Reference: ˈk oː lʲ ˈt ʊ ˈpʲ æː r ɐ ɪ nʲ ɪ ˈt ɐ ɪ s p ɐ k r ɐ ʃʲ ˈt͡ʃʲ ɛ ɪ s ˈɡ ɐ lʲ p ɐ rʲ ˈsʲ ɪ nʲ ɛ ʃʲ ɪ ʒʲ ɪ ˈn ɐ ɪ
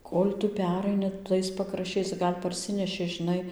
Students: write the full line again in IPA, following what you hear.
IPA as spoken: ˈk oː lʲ ˈt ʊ ˈpʲ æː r ɐ ɪ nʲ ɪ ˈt ɐ ɪ s p ɐ k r ɐ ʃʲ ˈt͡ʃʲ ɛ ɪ s ˈɡ ɐ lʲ p ɐ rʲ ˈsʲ ɪ nʲ ɛ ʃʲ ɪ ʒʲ ɪ ˈn ɐ ɪ